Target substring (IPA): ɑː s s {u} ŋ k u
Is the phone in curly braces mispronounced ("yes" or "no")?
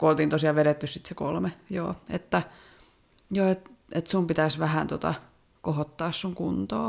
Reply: no